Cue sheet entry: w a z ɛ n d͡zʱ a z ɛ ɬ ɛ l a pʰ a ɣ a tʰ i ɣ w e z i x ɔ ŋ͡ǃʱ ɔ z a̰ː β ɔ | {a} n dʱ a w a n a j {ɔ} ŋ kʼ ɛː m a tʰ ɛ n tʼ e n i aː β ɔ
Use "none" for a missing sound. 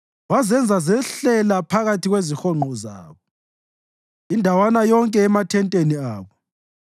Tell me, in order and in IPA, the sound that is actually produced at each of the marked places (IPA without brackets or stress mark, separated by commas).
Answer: i, ɔ